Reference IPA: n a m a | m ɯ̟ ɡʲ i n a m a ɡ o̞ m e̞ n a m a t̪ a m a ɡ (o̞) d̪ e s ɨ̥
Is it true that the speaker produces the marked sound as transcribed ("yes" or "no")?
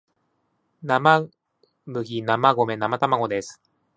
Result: yes